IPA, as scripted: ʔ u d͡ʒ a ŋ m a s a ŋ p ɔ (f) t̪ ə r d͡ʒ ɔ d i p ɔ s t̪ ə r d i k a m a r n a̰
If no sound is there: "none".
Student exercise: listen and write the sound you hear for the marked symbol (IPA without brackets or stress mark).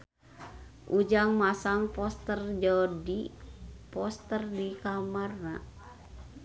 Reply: s